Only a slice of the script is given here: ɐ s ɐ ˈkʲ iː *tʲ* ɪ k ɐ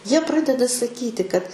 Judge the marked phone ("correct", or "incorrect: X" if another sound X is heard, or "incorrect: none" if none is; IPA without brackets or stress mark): correct